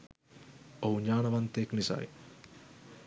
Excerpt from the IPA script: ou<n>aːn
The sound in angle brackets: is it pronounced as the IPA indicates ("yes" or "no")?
no